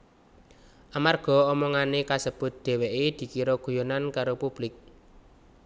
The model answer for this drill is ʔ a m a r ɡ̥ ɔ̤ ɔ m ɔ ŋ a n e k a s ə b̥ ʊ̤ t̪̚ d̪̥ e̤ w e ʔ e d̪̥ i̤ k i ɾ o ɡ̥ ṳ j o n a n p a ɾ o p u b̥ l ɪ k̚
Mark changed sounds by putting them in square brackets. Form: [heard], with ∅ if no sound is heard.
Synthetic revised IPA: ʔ a m a r ɡ̥ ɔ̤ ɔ m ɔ ŋ a n e k a s ə b̥ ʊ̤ t̪̚ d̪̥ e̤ w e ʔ e d̪̥ i̤ k i ɾ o ɡ̥ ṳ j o n a n [k] a ɾ o p u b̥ l ɪ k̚